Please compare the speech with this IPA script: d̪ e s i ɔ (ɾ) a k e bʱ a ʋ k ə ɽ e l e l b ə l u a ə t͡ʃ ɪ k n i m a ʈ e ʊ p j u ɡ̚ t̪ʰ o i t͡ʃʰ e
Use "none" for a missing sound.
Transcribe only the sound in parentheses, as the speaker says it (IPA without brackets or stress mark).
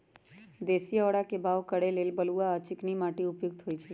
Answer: ɽ